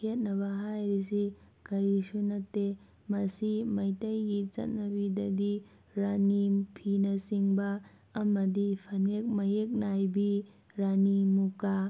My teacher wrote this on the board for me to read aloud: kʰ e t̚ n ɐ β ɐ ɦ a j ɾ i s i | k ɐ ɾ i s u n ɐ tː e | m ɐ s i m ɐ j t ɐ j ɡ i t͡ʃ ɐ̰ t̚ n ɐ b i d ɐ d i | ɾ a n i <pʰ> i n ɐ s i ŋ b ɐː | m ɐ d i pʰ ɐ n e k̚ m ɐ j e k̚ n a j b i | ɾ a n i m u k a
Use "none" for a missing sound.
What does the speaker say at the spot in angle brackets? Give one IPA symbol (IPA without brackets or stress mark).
pʰ